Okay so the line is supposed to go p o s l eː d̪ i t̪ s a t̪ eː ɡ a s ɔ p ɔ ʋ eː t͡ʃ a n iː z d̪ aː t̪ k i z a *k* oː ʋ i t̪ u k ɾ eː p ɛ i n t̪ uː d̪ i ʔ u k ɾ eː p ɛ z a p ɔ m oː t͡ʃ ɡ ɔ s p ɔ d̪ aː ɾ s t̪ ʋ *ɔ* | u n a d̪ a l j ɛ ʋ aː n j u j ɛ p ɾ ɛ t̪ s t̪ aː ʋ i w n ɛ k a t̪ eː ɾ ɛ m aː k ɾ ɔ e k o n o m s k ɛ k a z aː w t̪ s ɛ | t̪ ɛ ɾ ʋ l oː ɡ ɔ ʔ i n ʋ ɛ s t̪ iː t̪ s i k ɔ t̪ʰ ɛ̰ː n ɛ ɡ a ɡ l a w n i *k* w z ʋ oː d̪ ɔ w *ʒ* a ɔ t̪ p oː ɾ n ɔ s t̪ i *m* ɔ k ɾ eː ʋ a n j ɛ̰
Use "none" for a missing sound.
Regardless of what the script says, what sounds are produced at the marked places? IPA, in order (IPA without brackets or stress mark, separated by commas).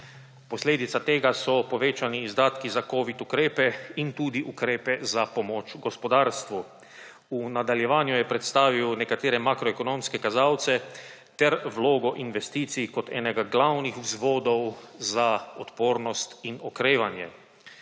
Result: k, u, x, z, n